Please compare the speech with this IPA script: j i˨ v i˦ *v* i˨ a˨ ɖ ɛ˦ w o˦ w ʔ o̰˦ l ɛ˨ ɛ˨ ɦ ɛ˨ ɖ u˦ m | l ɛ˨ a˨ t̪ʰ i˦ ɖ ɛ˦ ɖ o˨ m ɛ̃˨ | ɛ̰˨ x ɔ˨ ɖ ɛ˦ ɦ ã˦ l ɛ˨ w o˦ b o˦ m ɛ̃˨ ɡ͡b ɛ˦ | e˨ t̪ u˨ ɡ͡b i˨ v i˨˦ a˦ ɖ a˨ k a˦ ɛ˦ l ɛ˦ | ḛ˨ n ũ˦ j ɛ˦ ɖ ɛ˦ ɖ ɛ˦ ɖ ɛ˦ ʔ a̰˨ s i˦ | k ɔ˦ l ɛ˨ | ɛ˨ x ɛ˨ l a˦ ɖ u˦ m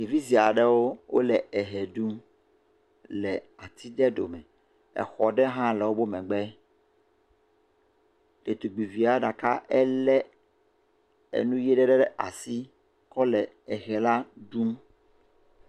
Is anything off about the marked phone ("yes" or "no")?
yes